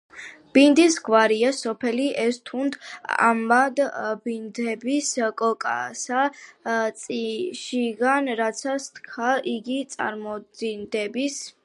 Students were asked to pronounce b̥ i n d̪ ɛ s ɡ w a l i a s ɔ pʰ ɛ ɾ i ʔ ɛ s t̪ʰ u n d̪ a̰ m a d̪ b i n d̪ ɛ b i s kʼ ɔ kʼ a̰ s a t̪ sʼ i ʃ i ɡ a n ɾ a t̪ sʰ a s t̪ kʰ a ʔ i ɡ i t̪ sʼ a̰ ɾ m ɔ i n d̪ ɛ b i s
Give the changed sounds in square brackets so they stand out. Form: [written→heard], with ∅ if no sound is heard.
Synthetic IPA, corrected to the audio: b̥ i n d̪ [ɛ→i] s ɡ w a [l→ɾ] i a s ɔ pʰ ɛ [ɾ→l] i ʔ ɛ s t̪ʰ u n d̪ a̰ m a d̪ b i n d̪ ɛ b i s kʼ ɔ kʼ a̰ s a t̪ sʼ i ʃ i ɡ a n ɾ a t̪ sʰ a s t̪ kʰ a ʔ i ɡ i t̪ sʼ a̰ ɾ m ɔ i n d̪ ɛ b i s